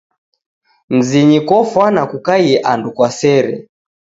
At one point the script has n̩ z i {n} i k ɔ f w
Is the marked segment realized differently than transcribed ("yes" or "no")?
yes